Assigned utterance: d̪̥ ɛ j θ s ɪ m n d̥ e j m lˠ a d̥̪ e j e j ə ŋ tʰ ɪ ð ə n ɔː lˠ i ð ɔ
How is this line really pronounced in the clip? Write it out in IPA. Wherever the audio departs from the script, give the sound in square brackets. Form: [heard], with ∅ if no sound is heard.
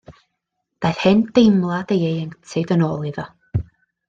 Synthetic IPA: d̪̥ [a] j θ [h] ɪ [∅] n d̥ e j m lˠ a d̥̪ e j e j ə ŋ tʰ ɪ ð ə n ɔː lˠ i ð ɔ